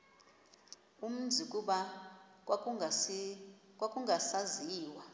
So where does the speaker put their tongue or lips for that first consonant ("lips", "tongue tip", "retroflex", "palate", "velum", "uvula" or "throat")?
lips